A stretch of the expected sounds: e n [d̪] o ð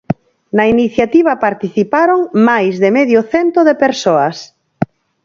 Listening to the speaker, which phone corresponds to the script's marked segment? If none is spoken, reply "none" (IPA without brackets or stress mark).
t̪